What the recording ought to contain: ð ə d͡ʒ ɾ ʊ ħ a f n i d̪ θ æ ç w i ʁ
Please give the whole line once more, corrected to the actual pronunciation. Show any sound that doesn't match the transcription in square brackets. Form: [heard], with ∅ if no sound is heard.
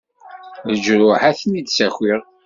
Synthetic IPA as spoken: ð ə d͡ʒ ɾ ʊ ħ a [θ] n i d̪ [s] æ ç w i ʁ